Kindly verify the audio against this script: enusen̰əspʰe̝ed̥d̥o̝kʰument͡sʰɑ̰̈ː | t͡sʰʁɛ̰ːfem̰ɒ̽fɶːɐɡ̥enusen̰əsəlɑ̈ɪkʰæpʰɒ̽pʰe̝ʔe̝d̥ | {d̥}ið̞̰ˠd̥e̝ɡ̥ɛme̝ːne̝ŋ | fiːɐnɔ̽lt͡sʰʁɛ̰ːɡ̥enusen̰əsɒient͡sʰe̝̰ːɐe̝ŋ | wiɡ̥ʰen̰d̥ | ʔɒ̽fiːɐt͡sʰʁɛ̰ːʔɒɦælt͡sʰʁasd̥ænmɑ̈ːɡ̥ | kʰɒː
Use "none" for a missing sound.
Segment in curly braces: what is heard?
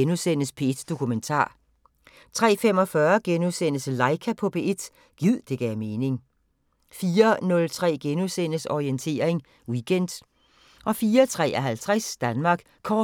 ɡ̥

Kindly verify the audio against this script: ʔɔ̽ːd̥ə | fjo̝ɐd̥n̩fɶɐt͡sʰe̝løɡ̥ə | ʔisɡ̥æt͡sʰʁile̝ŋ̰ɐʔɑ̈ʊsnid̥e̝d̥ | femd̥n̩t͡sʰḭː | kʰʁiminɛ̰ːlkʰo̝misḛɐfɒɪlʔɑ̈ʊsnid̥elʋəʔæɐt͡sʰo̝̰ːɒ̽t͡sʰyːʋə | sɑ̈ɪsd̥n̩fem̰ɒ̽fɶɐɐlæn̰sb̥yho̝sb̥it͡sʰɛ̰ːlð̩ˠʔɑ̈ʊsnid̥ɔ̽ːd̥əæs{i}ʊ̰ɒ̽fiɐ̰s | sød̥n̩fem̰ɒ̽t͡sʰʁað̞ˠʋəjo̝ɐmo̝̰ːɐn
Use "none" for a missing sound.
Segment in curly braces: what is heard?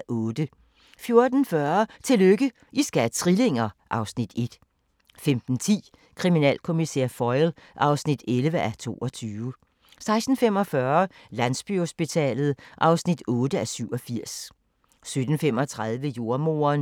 y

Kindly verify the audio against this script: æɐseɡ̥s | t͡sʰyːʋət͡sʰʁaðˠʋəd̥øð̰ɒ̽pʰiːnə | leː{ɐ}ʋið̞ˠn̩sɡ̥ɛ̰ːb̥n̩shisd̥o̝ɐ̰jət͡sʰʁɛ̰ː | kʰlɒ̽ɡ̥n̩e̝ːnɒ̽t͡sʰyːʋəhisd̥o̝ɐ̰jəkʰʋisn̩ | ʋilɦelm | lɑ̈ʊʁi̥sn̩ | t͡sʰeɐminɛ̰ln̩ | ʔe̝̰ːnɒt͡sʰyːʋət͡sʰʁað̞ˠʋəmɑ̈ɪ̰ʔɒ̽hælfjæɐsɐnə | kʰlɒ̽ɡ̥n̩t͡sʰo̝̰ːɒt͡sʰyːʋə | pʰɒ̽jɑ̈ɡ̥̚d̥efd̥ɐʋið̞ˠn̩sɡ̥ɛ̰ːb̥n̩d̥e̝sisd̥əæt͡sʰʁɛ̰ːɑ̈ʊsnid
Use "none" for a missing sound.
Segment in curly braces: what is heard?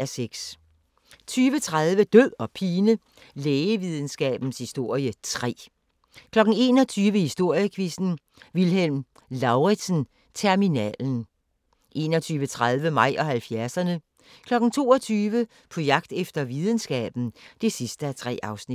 ə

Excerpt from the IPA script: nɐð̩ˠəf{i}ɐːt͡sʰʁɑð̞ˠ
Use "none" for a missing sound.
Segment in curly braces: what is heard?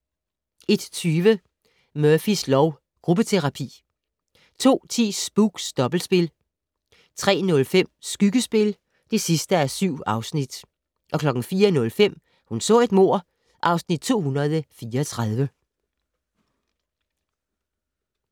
iː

